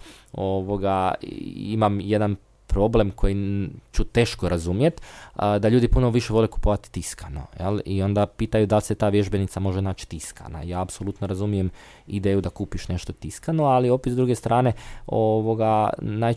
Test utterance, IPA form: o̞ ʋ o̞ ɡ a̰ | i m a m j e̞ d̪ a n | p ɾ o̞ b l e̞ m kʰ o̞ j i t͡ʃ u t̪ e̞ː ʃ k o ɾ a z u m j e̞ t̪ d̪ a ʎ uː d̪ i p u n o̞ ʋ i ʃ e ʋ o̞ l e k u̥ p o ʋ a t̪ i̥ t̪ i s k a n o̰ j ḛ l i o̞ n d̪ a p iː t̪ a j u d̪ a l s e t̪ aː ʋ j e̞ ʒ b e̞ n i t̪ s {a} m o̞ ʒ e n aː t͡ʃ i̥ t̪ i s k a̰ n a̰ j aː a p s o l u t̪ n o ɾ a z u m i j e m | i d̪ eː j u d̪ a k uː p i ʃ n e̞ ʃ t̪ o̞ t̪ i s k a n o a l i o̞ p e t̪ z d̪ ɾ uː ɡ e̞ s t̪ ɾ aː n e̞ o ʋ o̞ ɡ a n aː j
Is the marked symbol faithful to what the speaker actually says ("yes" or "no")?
yes